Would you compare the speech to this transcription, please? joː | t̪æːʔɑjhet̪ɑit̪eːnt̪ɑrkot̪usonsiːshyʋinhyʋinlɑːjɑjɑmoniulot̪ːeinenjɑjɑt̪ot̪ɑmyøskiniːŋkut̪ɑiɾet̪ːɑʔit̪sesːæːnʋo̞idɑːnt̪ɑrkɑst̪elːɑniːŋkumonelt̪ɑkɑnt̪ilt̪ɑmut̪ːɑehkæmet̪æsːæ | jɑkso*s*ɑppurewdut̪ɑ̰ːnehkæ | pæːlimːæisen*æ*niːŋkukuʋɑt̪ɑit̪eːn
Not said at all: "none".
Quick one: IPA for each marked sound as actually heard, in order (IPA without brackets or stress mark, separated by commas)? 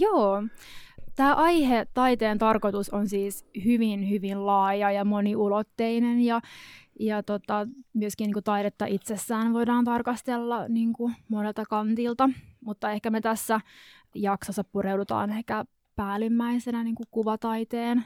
sː, æ